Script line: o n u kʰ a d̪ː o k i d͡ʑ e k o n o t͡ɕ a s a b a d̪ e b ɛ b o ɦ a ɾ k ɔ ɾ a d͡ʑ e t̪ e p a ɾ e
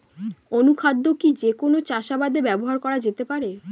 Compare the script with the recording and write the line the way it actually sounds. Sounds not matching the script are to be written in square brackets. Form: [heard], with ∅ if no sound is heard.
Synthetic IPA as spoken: o n u kʰ a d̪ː o k i d͡ʑ e k o n o t͡ɕ a [ʃ] a b a d̪ e b ɛ b o ɦ a ɾ k ɔ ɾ a d͡ʑ e t̪ e p a ɾ e